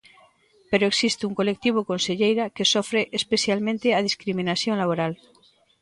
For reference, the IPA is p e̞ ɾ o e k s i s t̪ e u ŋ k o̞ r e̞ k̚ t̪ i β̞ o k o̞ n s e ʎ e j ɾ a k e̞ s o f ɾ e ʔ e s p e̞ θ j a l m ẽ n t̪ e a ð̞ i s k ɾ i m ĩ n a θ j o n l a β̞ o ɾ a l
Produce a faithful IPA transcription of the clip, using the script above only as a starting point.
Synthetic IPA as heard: p e̞ ɾ o e k s i s t̪ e u ŋ k o̞ l e̞ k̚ t̪ i β̞ o k o̞ n s e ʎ e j ɾ a k e̞ s o f ɾ e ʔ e s p e̞ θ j a l m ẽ n t̪ e a ð̞ i s k ɾ i m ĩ n a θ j o n l a β̞ o ɾ a l